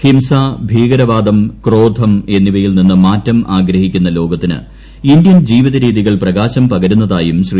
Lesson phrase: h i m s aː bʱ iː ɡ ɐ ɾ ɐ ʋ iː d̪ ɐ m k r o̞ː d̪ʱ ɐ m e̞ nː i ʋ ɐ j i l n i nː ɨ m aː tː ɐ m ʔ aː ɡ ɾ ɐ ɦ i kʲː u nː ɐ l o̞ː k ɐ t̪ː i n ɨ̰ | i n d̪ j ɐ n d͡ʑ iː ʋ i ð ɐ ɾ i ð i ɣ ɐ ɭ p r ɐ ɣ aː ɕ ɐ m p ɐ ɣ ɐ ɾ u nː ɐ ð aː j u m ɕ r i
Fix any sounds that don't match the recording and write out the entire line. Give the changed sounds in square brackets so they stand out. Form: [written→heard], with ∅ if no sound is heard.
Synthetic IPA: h i m s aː bʱ iː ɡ ɐ ɾ ɐ ʋ [iː→aː] d̪ ɐ m k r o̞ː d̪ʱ ɐ m e̞ nː i ʋ ɐ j i l n i nː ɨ m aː tː ɐ m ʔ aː ɡ ɾ ɐ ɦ i kʲː u nː ɐ l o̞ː [k→ɡ] ɐ t̪ː i n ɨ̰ | i n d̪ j ɐ n d͡ʑ iː ʋ i ð ɐ ɾ [i→iː] ð i ɣ ɐ ɭ p r ɐ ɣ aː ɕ ɐ m p ɐ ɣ ɐ ɾ u nː ɐ ð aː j u m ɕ r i